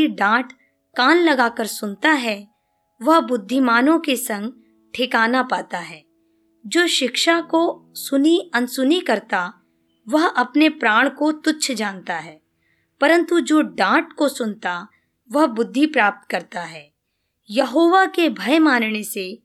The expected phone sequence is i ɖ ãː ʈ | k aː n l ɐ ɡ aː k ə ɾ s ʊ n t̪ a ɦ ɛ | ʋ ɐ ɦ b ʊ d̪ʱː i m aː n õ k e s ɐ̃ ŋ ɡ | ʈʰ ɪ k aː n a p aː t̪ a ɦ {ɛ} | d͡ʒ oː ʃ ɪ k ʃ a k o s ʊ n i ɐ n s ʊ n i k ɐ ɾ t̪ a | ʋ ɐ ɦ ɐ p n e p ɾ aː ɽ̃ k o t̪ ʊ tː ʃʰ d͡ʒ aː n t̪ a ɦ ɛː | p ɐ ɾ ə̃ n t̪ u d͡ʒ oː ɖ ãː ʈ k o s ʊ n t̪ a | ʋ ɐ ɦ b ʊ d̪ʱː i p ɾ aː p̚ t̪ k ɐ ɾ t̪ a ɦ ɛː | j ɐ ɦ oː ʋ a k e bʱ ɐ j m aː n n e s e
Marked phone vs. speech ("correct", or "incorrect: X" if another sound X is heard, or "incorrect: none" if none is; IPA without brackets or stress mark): incorrect: ɛː